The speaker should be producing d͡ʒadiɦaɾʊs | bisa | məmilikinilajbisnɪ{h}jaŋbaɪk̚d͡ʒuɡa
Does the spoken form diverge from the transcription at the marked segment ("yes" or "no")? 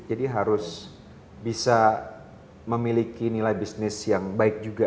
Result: yes